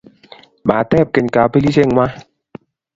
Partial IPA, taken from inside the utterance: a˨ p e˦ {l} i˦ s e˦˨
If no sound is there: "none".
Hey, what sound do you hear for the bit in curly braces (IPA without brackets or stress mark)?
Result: l